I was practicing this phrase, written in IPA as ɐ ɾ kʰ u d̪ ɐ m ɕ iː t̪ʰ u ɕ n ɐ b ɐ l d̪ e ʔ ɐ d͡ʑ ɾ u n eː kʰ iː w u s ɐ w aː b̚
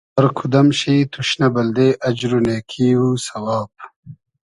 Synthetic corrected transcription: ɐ ɾ kʰ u d̪ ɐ m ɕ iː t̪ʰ u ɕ n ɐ b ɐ l d̪ e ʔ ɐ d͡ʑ ɾ u n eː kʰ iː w u s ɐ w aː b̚